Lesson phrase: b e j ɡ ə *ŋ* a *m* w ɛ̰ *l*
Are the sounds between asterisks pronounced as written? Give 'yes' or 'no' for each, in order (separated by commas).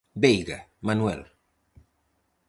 no, no, yes